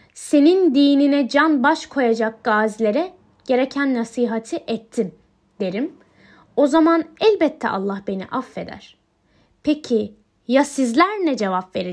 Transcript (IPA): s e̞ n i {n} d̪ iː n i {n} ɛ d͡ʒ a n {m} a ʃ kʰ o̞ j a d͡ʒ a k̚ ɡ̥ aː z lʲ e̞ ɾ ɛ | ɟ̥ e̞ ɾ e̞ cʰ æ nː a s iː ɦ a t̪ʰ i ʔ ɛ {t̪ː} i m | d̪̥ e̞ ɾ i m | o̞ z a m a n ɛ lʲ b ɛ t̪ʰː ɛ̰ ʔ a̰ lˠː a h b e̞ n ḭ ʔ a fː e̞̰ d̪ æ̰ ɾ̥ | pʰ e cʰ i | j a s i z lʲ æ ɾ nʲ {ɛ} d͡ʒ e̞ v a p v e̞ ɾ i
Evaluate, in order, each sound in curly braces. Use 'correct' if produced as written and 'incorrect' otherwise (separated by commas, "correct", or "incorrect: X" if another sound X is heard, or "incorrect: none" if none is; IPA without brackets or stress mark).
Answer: correct, correct, incorrect: b, incorrect: t̪ʰː, correct